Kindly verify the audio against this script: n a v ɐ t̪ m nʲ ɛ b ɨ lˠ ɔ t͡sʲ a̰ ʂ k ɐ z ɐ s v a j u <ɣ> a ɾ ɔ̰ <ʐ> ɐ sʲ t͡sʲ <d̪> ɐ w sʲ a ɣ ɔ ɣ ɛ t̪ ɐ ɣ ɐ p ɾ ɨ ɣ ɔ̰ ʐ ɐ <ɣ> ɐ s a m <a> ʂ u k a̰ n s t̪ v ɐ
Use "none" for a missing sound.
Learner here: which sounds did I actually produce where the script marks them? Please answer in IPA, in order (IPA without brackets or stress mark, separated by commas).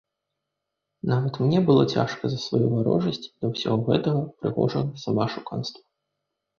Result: v, ʐ, d̪, ɣ, a